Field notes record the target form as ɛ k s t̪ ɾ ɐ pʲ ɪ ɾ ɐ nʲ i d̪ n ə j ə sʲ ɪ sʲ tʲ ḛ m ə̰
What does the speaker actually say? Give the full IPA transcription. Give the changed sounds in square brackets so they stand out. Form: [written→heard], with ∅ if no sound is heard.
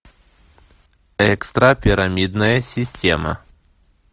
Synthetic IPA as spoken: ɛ k s t̪ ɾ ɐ pʲ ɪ ɾ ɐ [nʲ→mʲ] i d̪ n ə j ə sʲ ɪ sʲ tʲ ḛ m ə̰